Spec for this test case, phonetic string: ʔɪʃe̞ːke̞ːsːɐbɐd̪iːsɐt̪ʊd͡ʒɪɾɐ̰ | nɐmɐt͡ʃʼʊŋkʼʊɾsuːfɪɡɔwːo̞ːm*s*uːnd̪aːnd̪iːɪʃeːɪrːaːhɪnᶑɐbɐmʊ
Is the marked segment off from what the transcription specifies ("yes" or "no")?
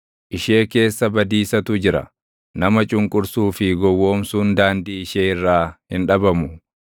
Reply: no